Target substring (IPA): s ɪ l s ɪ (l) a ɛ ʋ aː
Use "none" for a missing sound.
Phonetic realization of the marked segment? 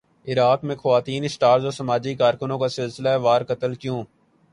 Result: l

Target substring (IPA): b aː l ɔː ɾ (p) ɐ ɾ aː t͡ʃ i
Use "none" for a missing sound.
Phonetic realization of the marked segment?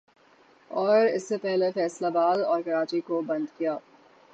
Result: k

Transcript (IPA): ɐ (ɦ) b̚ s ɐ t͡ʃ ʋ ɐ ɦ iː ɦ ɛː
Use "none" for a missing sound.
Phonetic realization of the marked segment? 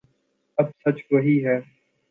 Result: none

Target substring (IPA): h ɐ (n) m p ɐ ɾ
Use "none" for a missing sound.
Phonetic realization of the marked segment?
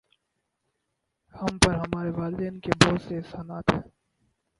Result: none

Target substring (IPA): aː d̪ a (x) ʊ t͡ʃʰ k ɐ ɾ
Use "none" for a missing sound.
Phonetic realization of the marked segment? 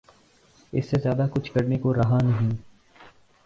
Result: k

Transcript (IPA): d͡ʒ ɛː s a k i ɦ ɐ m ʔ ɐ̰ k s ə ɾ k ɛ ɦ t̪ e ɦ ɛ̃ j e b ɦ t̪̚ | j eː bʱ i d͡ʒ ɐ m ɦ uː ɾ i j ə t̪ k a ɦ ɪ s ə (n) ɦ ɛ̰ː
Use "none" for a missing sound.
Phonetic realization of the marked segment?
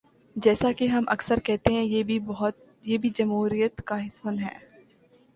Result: n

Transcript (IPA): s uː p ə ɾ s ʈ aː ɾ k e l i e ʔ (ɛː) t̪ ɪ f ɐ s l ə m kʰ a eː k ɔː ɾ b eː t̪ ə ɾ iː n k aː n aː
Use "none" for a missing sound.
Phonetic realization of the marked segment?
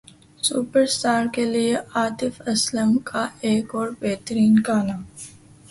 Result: aː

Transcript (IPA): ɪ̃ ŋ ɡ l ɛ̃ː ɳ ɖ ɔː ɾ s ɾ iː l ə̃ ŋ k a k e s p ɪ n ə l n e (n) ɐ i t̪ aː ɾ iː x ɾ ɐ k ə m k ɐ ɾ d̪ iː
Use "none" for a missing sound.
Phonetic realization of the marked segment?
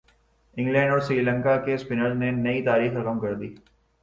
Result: n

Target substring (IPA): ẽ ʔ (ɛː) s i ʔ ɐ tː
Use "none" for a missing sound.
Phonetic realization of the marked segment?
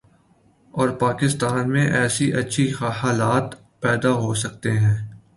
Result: ɛː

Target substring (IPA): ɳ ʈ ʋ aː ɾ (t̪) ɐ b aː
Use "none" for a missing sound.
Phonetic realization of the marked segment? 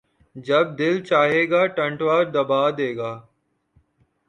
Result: d̪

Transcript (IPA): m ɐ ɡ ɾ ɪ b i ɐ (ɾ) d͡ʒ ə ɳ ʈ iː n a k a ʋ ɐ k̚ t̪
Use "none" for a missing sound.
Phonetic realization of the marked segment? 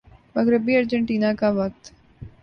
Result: ɾ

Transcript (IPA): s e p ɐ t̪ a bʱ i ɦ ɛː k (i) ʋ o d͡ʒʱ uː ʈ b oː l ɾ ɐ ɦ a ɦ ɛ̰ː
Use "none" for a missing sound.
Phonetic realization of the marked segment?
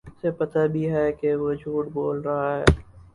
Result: e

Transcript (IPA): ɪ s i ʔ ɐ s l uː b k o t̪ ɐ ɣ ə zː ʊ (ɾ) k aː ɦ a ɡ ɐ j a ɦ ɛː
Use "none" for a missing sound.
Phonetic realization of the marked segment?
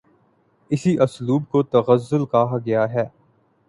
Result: l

